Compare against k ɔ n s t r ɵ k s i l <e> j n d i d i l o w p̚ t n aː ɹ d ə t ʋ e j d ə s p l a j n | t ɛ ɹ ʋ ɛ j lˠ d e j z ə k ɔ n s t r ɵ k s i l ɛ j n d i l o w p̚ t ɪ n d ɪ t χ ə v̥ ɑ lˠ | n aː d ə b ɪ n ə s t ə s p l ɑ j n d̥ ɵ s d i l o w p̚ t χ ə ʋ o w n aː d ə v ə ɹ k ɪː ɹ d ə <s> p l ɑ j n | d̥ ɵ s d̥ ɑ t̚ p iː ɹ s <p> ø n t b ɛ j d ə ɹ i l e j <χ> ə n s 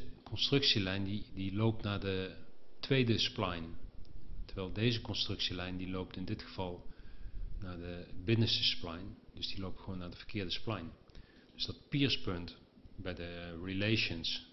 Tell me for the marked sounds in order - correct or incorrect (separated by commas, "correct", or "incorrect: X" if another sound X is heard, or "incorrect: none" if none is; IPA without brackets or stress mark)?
incorrect: ɛ, correct, correct, incorrect: ʃ